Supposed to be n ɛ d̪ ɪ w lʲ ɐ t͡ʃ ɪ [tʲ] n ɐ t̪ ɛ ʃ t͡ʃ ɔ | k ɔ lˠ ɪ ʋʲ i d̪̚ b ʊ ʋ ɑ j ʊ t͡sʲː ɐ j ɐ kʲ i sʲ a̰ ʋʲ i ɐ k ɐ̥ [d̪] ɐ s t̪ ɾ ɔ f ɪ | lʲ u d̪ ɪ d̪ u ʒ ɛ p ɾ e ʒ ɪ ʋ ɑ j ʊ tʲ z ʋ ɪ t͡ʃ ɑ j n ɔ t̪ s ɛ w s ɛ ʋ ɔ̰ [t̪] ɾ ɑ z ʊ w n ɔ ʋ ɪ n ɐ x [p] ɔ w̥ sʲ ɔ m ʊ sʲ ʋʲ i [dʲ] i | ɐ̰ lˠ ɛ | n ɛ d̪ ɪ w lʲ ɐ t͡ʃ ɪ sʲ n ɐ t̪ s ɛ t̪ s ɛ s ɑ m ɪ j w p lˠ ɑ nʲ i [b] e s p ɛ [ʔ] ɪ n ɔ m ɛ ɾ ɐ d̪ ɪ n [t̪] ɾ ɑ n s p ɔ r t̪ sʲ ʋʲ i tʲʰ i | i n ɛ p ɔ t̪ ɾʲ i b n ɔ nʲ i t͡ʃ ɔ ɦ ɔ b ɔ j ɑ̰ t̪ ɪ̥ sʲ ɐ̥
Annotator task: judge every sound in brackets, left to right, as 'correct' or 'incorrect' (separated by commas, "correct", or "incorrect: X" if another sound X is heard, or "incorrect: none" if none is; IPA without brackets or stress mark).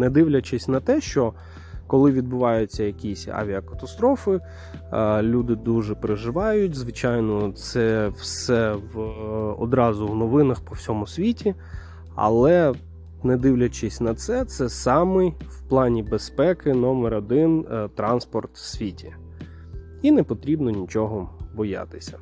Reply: incorrect: sʲ, incorrect: t̪, incorrect: d̪, correct, incorrect: tʲ, correct, incorrect: k, correct